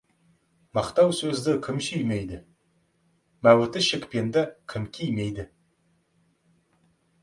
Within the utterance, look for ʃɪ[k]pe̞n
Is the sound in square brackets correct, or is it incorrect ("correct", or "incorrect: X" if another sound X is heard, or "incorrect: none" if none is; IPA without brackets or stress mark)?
correct